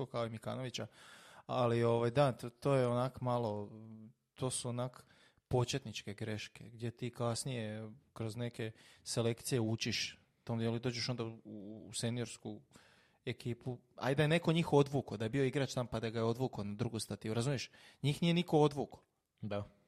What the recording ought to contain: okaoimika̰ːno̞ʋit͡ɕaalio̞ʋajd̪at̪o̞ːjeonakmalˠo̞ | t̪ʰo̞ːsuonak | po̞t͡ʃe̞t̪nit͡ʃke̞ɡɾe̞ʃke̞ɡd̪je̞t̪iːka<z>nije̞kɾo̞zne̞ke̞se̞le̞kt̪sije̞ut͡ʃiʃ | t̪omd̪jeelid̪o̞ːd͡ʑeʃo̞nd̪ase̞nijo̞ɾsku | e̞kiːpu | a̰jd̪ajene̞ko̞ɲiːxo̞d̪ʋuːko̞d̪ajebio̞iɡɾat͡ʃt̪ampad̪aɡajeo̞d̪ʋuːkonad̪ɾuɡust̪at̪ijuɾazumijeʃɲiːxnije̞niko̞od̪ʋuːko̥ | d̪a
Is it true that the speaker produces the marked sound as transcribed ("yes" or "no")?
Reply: no